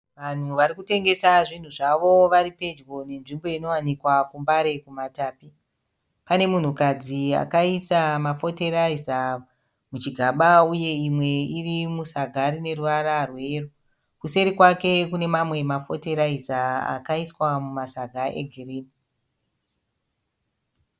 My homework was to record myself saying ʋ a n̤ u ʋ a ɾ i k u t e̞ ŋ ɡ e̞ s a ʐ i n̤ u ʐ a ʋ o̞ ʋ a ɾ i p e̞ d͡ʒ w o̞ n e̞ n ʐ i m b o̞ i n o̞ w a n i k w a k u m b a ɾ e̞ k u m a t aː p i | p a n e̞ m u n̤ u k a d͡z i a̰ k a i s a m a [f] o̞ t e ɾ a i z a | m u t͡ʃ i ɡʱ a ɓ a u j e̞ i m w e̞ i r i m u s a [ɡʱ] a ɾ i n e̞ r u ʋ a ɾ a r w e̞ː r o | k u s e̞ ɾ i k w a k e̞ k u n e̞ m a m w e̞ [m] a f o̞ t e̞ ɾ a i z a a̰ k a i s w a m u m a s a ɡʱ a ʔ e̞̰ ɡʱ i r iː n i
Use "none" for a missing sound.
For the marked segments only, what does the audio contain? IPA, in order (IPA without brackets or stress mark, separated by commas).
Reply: f, ɡʱ, m